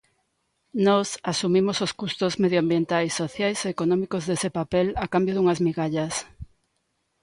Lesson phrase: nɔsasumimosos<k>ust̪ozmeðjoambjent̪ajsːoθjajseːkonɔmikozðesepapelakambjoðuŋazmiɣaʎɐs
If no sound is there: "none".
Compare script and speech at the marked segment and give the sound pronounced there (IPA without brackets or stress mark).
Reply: k